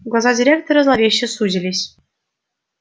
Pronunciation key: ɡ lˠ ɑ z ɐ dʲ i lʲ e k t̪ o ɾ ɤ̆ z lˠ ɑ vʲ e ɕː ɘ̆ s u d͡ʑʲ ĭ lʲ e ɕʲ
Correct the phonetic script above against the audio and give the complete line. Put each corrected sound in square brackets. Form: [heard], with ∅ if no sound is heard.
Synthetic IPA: ɡ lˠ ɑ z [ɑ] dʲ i [ɾʲ] e k t̪ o ɾ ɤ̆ z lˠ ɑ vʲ e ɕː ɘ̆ s u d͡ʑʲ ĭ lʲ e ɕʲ